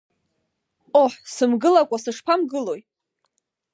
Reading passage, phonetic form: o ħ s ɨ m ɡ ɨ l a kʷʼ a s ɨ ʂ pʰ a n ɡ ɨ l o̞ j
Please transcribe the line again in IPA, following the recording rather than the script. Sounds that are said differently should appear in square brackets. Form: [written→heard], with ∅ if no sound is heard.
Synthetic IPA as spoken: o ħ s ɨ m ɡ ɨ l a kʷʼ a s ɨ ʂ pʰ a [n→m] ɡ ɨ l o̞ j